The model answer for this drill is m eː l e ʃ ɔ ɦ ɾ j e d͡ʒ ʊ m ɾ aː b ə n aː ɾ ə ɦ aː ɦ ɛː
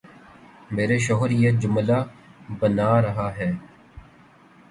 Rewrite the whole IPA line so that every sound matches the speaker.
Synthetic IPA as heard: m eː ɾ e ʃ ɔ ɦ ɾ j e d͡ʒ ʊ m l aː b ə n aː ɾ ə ɦ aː ɦ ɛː